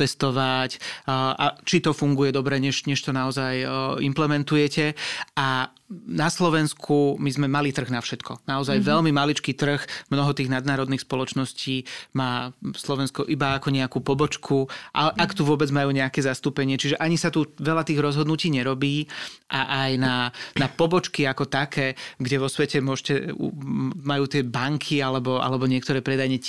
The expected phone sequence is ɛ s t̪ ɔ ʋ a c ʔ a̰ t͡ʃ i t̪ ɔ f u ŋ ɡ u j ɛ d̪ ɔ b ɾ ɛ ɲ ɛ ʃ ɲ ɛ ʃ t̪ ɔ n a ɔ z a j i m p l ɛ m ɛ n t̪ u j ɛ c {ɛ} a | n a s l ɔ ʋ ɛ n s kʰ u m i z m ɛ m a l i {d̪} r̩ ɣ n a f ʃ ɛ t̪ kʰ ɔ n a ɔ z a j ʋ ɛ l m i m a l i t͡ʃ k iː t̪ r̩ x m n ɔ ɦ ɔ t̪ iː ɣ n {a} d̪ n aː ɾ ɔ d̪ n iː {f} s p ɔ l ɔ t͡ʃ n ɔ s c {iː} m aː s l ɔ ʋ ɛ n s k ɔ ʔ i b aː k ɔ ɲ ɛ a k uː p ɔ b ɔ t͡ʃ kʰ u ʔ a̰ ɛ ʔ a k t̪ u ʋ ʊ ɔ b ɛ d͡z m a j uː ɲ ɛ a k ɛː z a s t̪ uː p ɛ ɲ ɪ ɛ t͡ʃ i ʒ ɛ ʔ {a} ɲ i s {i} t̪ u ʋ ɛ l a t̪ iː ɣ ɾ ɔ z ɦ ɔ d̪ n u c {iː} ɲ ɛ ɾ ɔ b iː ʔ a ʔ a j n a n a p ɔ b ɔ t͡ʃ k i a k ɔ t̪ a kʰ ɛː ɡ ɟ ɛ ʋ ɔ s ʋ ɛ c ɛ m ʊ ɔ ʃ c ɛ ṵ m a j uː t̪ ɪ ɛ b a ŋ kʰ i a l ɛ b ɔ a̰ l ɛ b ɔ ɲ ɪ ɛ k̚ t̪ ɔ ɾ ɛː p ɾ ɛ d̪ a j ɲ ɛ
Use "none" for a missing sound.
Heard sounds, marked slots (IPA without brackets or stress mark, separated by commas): ɛ, t̪, a, x, iː, a, a, iː